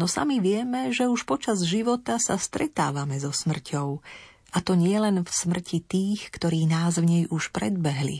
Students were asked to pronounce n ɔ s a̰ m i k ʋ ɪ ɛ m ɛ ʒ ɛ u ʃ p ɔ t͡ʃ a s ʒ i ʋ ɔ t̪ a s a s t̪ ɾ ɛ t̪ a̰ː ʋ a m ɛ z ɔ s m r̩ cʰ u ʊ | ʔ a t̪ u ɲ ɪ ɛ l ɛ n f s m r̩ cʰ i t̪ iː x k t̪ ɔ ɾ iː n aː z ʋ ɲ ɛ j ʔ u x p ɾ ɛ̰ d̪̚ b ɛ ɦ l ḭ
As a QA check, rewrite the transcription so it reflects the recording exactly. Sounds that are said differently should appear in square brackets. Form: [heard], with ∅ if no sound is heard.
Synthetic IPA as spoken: n ɔ s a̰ m i [∅] ʋ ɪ ɛ m ɛ ʒ ɛ u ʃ p ɔ t͡ʃ a [z] ʒ i ʋ ɔ t̪ a s a s t̪ ɾ ɛ t̪ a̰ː ʋ a m ɛ z ɔ s m r̩ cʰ [ɔ] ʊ | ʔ a t̪ [ɔ] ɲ ɪ ɛ l ɛ n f s m r̩ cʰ i t̪ iː x k t̪ ɔ ɾ iː n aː z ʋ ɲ ɛ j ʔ u [ʃ] p ɾ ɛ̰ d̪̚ b ɛ ɦ l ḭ